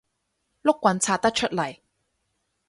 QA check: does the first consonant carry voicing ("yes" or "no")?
yes